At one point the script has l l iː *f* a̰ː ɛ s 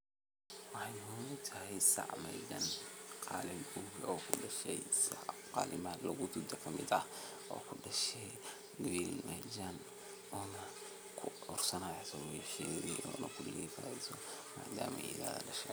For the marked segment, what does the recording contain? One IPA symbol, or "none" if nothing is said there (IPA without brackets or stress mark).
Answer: f